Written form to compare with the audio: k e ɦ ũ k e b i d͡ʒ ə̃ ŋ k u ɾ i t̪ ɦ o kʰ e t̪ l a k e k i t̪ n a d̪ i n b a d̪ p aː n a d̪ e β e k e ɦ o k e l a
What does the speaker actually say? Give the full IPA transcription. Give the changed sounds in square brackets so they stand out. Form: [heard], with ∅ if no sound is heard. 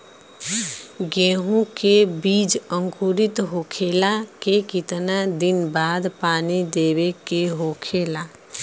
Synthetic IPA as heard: [ɡ] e ɦ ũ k e b i d͡ʒ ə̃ ŋ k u ɾ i t̪ ɦ o kʰ e [∅] l a k e k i t̪ n a d̪ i n b a d̪ p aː n [i] d̪ e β e k e ɦ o [kʰ] e l a